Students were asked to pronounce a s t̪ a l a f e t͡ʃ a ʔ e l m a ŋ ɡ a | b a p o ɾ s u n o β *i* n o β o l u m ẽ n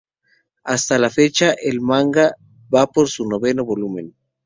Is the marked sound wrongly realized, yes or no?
yes